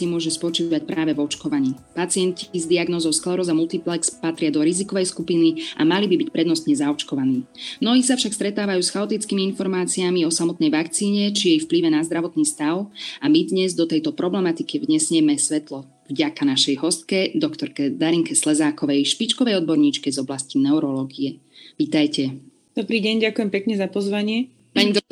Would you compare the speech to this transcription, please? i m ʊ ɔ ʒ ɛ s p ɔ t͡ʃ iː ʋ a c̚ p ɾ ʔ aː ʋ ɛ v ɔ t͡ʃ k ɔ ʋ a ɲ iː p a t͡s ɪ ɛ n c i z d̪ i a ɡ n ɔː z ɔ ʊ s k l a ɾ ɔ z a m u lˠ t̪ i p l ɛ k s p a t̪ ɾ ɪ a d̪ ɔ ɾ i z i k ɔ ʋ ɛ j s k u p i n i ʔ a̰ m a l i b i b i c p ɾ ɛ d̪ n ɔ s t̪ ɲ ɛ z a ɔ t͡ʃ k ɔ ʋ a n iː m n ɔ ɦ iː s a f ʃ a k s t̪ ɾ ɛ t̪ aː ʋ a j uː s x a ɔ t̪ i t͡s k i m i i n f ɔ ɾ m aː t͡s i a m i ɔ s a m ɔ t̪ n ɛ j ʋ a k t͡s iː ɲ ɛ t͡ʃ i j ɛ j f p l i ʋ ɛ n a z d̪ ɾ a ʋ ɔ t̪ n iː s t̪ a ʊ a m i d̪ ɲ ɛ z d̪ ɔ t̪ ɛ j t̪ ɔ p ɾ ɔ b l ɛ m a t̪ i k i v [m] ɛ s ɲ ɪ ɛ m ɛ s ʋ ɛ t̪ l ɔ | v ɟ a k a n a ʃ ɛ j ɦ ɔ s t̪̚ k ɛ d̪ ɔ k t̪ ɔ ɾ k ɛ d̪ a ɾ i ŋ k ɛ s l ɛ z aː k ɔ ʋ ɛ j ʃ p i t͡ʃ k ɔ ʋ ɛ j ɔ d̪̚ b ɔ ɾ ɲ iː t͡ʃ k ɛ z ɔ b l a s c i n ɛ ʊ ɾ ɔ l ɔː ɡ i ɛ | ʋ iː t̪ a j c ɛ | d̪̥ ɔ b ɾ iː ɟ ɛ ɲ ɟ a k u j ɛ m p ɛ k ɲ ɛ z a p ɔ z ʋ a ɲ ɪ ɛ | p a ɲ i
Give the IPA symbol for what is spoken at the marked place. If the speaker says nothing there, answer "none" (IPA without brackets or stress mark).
ɲ